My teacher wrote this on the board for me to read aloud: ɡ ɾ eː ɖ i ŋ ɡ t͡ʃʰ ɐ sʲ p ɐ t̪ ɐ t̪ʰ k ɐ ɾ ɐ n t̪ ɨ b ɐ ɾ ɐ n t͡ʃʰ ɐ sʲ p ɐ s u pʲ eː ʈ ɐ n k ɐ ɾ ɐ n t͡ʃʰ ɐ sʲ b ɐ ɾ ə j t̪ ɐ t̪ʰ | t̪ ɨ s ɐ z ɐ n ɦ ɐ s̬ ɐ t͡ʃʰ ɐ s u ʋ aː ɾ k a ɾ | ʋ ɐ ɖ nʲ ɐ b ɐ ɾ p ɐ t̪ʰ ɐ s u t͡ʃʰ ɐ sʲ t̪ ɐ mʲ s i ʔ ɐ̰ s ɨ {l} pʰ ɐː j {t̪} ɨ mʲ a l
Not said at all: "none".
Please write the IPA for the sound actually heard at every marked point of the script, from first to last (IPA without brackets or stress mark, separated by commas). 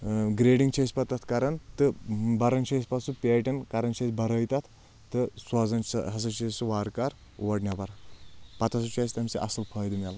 l, d̪